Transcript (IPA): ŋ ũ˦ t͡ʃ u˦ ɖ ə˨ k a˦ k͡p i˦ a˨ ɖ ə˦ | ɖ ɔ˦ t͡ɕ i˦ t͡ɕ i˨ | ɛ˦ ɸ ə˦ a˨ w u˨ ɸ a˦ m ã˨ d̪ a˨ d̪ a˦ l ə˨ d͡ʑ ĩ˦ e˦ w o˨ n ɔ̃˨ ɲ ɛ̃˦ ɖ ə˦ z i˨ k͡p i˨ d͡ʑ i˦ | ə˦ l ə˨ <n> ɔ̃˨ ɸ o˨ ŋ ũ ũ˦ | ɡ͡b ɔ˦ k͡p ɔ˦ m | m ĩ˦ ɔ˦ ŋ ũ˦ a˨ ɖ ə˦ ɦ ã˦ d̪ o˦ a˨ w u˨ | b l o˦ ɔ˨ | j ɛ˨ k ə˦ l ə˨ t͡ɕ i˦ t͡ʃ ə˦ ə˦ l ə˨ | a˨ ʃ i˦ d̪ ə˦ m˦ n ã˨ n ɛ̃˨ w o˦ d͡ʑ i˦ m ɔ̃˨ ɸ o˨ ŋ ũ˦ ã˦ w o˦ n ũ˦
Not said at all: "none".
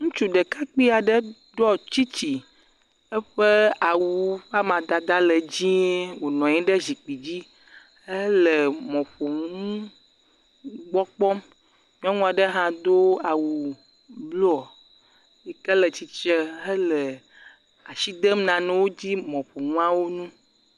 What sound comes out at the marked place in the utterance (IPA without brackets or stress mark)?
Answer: m